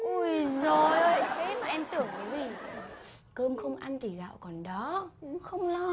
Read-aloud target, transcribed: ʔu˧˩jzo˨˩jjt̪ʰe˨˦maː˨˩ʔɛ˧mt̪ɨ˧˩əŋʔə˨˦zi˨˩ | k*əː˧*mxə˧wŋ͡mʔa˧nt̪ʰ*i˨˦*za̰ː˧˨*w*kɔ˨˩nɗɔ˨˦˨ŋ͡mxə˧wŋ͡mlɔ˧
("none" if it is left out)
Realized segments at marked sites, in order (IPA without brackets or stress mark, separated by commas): əː˧, i˨˩, w